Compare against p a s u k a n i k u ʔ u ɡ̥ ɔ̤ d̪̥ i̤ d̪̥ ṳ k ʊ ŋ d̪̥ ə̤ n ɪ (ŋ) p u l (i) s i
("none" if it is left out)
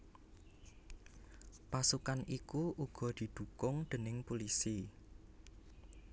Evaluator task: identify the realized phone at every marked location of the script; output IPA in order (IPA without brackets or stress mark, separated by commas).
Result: ŋ, i